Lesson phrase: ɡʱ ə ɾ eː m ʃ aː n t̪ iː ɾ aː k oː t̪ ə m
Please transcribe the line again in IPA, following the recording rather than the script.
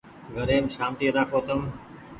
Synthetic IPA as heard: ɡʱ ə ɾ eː m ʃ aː m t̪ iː ɾ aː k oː t̪ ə m